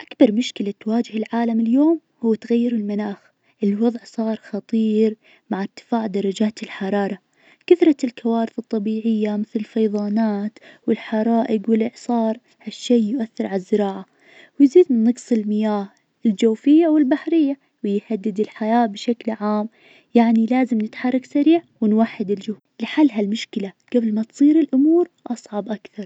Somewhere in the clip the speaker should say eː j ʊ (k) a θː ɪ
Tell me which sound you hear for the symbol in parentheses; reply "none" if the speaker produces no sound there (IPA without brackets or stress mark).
ʔ